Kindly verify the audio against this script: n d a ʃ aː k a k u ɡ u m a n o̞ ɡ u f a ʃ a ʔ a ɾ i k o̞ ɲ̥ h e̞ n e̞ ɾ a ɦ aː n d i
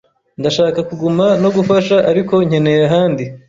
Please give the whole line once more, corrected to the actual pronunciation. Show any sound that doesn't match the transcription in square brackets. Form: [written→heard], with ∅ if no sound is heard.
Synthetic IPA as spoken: n d a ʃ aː k a k u ɡ u m a n o̞ ɡ u f a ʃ a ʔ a ɾ i k o̞ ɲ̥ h e̞ n e̞ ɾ a ɦ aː n d i